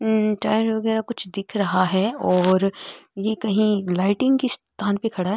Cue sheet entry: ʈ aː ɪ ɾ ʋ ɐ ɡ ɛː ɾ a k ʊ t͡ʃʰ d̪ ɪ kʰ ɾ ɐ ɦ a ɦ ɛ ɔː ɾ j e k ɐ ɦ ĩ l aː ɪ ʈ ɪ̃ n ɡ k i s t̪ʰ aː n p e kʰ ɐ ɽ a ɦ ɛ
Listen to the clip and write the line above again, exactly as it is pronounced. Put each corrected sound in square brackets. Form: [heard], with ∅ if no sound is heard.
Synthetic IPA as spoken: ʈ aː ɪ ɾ ʋ ɐ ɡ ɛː ɾ a k ʊ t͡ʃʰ d̪ ɪ kʰ ɾ ɐ ɦ a ɦ ɛ ɔː ɾ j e k ɐ ɦ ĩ l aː ɪ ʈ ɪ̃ [ŋ] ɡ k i s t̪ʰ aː n p e kʰ ɐ ɽ a ɦ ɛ